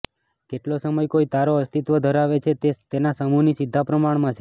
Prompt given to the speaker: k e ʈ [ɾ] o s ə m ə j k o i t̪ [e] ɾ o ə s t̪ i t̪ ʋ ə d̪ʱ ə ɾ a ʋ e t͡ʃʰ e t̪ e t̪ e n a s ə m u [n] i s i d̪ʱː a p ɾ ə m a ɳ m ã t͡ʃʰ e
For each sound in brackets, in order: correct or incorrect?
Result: incorrect: l, incorrect: a, correct

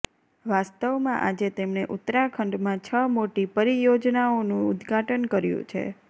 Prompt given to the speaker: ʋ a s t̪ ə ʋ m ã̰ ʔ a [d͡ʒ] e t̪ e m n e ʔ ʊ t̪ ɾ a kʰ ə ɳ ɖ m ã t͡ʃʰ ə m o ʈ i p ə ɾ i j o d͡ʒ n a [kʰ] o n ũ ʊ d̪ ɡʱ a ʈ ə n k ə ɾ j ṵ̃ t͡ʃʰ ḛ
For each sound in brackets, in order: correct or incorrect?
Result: correct, incorrect: none

